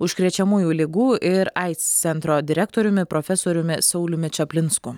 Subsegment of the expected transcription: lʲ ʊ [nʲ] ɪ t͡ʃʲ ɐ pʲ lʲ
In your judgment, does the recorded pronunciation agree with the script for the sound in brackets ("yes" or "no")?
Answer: no